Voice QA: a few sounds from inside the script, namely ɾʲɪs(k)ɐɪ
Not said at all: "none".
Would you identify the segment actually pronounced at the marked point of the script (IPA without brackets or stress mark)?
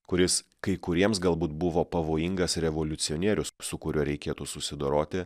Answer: k